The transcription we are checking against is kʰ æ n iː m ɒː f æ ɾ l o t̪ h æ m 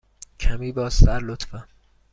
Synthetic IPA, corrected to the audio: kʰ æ m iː b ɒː s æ ɾ l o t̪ f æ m